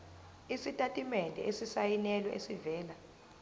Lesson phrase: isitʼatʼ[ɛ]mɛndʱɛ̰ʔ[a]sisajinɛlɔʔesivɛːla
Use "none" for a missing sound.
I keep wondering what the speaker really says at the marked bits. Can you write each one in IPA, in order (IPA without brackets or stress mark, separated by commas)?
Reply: i, e